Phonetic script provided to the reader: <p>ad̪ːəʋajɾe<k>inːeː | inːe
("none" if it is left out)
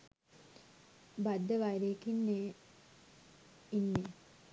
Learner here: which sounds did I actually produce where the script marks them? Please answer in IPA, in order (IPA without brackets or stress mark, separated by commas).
b, k